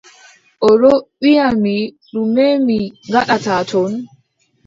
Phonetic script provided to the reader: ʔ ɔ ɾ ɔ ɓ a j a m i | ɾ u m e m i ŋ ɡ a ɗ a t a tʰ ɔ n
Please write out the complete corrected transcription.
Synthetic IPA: ʔ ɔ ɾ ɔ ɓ i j a m i | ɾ u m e m i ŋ ɡ a ɗ a t a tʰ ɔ n